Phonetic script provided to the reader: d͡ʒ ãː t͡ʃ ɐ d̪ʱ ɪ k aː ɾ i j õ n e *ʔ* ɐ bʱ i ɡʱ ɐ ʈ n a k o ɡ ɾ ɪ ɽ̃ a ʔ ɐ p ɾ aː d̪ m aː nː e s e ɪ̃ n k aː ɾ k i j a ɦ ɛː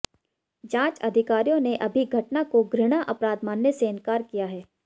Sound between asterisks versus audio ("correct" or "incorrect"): correct